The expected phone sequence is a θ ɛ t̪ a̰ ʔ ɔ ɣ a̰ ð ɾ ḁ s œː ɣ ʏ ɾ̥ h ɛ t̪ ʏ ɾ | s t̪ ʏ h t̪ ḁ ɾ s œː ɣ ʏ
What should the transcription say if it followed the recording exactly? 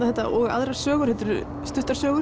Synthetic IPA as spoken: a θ ɛ t̪ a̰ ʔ ɔ ɣ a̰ ð ɾ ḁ s œː ɣ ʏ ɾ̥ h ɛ t̪ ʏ ɾ | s t̪ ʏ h t̪ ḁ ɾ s œː ɣ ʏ